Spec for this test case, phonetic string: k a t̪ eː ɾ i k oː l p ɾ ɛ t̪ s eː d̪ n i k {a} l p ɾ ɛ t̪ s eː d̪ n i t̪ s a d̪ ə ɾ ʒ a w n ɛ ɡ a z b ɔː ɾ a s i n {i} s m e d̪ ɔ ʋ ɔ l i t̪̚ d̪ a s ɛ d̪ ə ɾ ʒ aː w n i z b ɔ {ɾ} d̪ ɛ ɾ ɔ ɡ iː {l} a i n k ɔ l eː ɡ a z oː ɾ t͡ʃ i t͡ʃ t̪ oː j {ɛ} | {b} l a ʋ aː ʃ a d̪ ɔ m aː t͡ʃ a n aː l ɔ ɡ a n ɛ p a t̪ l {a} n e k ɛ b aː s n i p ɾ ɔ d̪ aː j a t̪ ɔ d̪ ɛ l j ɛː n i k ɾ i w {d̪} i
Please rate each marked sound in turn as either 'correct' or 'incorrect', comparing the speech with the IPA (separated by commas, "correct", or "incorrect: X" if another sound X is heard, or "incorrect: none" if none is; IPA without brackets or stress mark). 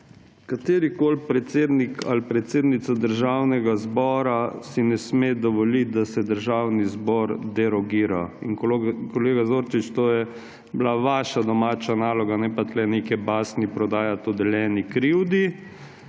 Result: correct, incorrect: ɛ, correct, incorrect: ɾ, correct, correct, incorrect: ɛ, correct